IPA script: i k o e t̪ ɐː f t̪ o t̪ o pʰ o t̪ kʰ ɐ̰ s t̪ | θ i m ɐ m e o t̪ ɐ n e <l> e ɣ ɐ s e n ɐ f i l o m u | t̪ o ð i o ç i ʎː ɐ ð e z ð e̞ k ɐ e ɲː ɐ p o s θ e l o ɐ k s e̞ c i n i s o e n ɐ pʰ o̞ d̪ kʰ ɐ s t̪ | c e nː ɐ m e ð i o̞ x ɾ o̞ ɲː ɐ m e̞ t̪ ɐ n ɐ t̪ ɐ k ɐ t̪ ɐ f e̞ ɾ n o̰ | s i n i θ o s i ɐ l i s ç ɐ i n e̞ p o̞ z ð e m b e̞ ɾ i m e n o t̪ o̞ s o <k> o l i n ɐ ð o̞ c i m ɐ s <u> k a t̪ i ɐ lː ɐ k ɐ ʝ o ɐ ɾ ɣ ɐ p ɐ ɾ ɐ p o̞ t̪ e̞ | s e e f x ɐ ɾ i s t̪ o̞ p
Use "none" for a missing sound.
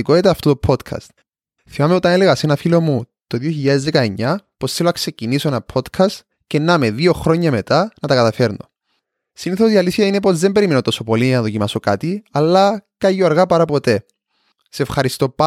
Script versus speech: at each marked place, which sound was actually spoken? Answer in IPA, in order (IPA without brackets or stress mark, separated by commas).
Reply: l, p, o